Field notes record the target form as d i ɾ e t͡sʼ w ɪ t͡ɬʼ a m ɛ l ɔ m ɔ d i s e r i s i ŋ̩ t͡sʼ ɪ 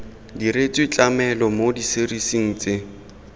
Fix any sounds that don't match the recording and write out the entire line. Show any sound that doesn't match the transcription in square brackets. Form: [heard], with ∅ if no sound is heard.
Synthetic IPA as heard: d i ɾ e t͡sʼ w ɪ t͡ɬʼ a m ɛ l ɔ m [o] d i s e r i s i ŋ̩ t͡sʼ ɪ